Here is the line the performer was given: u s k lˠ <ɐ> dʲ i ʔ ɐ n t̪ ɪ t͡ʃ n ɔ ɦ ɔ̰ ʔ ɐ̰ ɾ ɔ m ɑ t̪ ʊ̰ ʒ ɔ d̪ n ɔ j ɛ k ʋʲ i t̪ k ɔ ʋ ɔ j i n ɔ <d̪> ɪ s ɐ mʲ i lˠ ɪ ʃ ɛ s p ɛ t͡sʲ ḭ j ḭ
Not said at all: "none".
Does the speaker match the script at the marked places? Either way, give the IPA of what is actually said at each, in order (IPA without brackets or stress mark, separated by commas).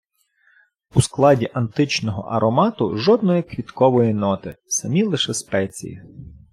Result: ɑ, t̪